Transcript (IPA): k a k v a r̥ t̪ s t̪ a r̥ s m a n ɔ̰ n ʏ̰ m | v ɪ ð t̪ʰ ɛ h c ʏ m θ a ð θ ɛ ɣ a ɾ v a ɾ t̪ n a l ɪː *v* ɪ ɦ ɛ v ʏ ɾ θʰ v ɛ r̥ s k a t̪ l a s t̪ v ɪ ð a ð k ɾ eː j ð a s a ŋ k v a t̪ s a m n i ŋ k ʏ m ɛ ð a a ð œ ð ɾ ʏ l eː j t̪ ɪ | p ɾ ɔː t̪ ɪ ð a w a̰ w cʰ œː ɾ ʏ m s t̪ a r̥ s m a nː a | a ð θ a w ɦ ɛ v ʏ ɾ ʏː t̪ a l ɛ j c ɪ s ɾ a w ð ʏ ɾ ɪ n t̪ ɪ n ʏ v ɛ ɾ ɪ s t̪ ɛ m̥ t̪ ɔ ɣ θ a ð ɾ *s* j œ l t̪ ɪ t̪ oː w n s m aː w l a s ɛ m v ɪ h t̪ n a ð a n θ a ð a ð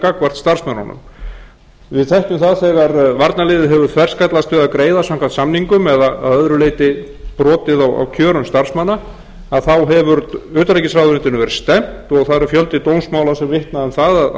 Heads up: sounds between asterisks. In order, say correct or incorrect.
incorrect: ð, incorrect: f

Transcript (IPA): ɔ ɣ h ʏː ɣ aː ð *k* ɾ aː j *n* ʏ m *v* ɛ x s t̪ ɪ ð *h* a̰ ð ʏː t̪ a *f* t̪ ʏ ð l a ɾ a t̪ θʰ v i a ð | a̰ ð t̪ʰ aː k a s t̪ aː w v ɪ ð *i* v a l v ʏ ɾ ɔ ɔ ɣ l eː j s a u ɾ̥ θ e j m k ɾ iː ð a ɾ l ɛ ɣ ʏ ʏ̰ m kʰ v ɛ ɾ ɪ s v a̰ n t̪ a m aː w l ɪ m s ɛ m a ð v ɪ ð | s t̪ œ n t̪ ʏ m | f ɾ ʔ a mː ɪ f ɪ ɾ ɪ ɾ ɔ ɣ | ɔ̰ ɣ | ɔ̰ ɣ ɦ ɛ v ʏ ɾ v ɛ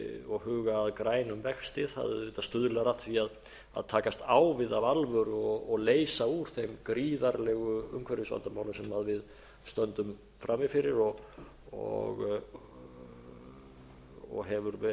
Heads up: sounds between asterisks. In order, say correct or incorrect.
correct, correct, correct, correct, incorrect: s, incorrect: a

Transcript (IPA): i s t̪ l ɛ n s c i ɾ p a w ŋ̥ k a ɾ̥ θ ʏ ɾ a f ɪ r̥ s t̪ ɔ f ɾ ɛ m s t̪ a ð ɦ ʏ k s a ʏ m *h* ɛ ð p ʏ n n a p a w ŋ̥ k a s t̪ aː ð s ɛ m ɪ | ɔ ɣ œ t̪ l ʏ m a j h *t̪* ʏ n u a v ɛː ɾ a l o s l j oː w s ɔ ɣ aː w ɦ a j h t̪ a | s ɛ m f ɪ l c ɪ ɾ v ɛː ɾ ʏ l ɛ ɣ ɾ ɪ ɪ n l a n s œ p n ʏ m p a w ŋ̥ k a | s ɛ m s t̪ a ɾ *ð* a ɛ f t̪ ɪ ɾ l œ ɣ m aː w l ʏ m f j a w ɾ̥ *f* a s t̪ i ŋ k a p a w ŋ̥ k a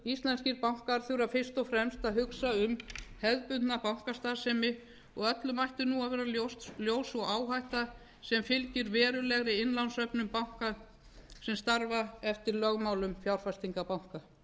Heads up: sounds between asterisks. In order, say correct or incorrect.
correct, correct, incorrect: v, correct

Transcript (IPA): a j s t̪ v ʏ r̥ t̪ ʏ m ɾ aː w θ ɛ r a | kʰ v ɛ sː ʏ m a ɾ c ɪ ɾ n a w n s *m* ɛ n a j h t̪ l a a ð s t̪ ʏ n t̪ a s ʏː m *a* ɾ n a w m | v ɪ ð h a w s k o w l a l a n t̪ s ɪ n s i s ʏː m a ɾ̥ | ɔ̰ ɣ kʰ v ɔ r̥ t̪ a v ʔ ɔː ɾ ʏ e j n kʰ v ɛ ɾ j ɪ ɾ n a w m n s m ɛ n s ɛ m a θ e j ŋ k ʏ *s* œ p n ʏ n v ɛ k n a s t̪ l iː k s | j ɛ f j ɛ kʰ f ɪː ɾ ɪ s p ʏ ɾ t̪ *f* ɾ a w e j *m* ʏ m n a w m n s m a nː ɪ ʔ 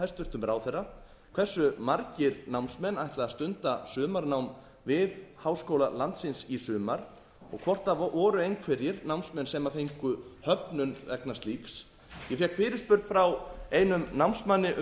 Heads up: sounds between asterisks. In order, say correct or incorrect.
correct, correct, incorrect: h, correct, incorrect: n

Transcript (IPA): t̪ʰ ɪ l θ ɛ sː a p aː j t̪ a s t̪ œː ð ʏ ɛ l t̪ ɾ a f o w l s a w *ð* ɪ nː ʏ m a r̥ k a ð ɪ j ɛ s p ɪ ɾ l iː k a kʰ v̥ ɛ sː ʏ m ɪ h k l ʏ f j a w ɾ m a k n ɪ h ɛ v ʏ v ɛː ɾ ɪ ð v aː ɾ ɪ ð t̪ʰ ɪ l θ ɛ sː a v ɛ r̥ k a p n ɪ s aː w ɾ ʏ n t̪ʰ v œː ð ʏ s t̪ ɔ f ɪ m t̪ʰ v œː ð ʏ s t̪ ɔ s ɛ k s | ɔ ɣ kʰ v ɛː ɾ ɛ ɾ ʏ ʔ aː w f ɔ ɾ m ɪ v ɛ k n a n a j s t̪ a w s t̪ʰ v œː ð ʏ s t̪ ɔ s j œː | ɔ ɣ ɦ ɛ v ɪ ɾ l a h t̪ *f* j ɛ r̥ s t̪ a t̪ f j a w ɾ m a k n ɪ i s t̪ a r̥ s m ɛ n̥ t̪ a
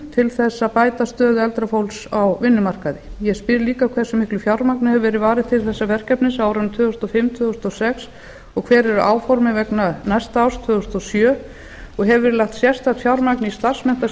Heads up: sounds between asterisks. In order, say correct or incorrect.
incorrect: v, incorrect: s

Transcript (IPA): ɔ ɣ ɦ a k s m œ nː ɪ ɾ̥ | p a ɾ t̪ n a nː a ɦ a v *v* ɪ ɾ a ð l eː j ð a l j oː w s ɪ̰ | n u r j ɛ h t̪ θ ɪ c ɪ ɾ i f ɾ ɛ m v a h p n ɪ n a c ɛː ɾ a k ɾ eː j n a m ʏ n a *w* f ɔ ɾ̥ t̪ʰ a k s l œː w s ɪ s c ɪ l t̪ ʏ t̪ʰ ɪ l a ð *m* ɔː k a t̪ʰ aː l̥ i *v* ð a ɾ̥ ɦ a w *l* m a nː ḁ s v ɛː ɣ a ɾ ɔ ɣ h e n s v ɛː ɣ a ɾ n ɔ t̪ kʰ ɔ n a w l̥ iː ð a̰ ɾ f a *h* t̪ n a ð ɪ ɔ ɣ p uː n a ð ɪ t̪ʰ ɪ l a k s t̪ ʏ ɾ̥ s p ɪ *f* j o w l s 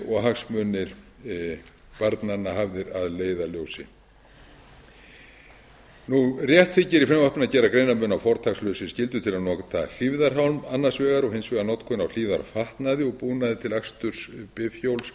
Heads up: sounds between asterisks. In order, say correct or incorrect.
incorrect: ð, correct, incorrect: n, correct, correct, correct, correct

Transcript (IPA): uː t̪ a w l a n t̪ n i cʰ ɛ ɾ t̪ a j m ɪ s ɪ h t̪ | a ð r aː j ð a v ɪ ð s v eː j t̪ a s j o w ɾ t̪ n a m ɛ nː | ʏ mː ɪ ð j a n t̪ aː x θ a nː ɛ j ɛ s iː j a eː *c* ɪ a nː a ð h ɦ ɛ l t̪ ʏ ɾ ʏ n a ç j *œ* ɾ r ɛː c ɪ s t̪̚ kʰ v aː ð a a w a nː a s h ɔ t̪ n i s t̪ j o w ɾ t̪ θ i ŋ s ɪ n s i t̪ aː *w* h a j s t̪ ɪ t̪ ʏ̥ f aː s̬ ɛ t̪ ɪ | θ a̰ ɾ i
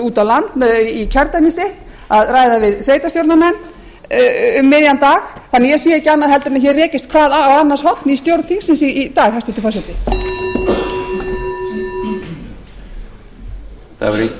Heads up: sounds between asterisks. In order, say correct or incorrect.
correct, incorrect: ɛ, incorrect: ɣ

